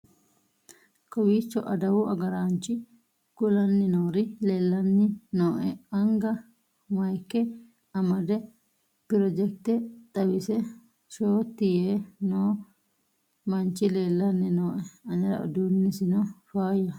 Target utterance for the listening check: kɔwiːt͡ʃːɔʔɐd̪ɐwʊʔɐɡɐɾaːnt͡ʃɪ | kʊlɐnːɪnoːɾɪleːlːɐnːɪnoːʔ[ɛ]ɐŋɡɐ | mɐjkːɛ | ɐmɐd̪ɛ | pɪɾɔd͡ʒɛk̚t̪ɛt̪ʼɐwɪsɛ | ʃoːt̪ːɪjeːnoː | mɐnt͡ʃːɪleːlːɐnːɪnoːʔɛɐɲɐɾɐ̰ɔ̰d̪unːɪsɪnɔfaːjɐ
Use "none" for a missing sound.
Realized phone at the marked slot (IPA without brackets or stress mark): ɛ